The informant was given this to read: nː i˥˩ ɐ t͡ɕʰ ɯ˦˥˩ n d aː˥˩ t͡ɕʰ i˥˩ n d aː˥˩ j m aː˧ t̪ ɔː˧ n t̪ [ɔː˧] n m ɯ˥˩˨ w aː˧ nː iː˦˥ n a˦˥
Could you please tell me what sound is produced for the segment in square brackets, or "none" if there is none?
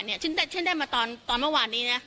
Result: ɔː˧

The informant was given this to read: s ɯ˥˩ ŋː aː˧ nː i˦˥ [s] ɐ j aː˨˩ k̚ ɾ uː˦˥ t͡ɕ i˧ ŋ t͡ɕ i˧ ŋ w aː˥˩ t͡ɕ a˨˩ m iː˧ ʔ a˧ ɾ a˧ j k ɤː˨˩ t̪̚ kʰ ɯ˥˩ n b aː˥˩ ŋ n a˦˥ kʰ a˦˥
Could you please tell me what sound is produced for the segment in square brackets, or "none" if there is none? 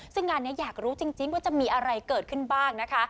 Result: none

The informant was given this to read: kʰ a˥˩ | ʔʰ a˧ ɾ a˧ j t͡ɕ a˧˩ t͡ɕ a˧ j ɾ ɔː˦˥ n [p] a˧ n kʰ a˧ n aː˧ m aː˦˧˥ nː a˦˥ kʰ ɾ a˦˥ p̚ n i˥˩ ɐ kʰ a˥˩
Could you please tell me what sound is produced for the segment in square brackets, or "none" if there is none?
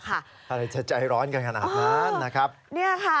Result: k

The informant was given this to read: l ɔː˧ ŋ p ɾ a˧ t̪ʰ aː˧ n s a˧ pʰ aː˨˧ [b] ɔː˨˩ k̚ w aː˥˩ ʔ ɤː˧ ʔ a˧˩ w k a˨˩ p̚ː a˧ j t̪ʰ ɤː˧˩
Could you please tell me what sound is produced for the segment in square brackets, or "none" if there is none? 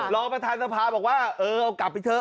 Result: b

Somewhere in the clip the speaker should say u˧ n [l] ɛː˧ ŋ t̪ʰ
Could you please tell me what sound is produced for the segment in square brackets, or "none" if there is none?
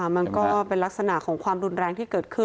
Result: ɾ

